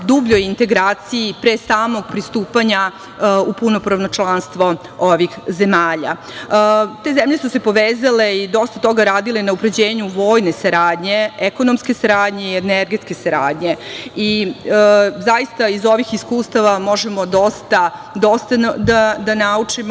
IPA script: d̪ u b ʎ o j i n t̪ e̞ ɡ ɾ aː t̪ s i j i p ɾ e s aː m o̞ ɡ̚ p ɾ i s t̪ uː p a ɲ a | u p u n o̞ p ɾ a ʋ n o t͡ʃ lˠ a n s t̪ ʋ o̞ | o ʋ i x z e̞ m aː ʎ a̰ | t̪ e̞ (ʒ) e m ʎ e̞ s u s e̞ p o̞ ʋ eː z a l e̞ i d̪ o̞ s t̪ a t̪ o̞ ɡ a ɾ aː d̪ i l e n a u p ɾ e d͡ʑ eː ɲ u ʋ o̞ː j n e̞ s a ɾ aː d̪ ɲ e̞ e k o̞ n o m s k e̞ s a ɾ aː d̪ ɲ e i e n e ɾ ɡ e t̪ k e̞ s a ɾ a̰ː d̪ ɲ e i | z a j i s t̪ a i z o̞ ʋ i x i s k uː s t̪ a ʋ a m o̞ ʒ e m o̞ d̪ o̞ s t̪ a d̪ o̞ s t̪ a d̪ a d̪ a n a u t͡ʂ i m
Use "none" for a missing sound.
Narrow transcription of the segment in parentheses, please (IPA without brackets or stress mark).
z